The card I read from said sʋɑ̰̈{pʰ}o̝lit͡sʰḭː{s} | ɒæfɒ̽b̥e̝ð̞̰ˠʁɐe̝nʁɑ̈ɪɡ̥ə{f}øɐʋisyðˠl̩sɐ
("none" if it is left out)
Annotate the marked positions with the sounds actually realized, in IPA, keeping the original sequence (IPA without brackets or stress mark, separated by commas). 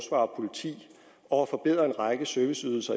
pʰ, none, s